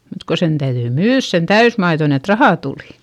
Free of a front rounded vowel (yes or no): no